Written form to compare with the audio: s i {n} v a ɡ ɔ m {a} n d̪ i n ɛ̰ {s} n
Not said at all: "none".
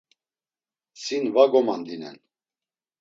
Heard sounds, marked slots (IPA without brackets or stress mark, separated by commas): n, a, none